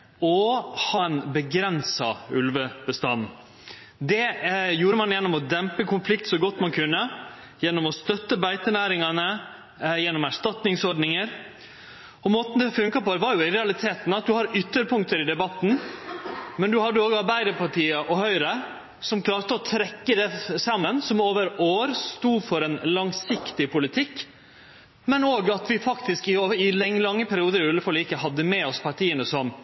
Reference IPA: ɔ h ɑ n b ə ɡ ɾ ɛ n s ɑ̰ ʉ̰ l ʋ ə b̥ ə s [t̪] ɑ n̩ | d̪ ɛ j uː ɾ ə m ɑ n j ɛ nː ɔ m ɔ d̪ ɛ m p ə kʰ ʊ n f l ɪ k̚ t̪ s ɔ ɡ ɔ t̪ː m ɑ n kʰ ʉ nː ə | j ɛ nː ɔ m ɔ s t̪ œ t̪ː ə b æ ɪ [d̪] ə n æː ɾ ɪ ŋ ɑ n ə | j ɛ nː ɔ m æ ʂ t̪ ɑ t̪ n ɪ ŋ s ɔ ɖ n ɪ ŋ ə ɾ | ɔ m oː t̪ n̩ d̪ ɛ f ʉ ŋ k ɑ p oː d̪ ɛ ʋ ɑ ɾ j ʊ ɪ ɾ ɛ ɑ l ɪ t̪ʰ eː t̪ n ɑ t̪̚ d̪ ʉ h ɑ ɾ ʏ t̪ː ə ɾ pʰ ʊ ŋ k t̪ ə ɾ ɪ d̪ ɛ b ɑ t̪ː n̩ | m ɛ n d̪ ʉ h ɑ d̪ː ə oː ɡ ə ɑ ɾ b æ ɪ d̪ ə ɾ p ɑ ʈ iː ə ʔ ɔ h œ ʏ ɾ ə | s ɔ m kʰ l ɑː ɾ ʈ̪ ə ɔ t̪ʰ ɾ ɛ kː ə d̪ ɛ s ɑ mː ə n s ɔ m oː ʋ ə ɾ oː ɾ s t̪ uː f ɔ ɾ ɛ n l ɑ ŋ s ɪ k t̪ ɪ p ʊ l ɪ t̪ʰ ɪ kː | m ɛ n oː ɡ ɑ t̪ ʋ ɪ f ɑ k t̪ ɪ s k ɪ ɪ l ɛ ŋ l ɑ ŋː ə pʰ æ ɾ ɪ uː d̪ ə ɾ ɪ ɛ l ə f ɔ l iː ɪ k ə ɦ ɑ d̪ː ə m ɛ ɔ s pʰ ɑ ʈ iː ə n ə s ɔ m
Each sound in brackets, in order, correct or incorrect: correct, incorrect: t̪

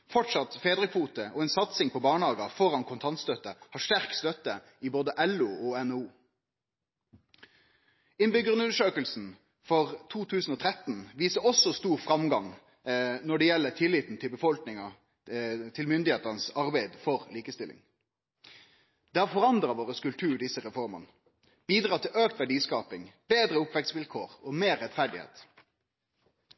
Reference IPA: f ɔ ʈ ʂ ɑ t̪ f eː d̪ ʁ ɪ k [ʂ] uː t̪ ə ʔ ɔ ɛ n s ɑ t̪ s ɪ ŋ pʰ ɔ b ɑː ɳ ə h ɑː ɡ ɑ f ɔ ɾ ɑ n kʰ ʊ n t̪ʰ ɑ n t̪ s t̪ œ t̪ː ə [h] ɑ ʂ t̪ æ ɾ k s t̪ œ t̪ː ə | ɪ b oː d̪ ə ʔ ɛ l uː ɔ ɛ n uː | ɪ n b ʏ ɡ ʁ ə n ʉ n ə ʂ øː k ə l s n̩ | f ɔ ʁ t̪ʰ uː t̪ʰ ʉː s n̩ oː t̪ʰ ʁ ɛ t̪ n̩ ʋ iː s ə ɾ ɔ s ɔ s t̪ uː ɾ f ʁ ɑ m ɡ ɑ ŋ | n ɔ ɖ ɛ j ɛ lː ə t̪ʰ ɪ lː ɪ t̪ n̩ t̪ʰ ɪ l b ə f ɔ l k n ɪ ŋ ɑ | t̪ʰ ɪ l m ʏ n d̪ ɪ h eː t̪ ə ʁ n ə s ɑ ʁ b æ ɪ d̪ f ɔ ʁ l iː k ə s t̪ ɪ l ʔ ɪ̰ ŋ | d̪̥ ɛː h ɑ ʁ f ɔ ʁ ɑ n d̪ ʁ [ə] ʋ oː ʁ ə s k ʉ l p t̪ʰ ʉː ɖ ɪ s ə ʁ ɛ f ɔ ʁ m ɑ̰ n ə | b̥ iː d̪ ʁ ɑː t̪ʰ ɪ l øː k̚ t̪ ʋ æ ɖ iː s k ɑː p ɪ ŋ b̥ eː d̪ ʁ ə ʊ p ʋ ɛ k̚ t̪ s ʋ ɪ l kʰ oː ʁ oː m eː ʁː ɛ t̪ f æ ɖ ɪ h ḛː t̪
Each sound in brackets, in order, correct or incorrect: incorrect: f, correct, incorrect: ɑ

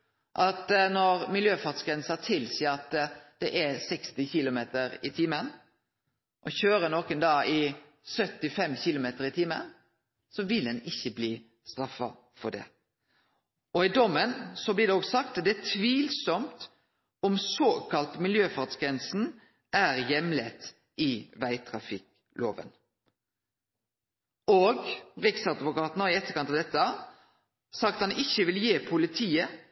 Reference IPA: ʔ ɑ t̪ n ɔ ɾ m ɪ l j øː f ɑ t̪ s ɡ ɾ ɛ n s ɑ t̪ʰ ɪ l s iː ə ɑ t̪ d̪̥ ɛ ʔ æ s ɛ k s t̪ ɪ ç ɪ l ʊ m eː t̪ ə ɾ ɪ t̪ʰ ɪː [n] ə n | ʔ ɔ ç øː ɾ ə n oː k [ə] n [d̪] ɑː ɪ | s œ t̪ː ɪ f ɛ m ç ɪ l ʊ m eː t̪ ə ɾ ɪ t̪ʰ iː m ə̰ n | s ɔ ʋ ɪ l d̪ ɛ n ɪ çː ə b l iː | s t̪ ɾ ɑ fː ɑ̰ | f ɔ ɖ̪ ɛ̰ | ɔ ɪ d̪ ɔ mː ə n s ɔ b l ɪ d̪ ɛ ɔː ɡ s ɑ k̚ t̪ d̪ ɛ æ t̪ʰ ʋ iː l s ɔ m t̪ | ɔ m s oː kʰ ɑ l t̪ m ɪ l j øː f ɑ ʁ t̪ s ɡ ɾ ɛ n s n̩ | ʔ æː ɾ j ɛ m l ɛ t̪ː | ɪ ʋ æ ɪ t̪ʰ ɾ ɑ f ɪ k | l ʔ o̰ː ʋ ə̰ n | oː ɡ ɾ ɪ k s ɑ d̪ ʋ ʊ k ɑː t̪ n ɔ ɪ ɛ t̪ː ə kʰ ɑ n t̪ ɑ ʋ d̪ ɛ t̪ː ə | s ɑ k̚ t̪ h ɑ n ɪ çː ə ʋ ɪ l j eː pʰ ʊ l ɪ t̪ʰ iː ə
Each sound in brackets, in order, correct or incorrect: incorrect: m, correct, correct

